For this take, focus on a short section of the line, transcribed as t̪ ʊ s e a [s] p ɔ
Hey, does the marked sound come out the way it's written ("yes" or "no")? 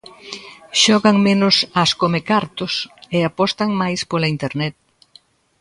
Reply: no